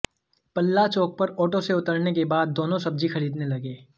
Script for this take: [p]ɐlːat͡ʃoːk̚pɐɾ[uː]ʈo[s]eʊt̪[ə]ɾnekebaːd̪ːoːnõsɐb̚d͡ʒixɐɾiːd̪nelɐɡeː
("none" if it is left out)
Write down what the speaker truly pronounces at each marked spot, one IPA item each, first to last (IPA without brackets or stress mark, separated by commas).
p, ɔː, s, ə